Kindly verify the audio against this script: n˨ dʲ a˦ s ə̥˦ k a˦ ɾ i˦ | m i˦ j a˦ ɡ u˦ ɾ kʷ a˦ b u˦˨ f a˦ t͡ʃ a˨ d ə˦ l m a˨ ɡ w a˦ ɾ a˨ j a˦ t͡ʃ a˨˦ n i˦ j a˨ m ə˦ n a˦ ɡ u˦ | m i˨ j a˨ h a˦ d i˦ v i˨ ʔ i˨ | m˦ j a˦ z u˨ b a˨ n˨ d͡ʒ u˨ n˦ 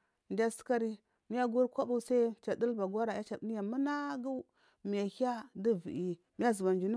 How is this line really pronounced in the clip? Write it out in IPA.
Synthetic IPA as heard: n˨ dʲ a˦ s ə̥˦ k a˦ ɾ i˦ | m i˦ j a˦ ɡ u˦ ɾ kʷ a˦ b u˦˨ s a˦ t͡ʃ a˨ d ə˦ l b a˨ ɡ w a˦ ɾ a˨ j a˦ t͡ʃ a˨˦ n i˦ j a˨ m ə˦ n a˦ ɡ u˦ | m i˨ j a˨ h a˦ d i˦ v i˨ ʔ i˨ | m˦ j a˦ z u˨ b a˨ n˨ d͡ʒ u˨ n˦